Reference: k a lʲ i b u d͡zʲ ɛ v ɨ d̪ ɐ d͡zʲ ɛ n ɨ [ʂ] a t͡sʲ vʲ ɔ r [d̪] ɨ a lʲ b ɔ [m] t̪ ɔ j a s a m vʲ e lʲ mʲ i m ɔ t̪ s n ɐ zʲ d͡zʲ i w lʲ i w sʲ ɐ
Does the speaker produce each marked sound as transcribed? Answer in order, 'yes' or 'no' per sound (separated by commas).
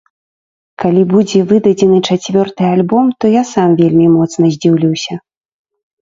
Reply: no, no, yes